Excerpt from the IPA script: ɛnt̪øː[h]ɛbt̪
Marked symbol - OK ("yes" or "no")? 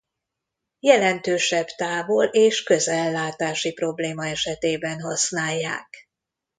no